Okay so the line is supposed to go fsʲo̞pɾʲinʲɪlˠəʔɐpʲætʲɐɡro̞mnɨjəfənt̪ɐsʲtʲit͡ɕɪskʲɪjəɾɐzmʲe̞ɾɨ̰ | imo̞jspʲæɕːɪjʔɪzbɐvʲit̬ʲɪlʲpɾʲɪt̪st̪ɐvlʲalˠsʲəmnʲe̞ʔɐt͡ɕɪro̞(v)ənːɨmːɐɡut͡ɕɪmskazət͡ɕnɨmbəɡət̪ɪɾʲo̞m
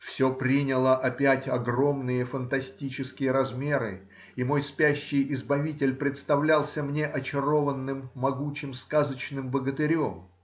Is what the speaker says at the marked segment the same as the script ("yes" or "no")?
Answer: yes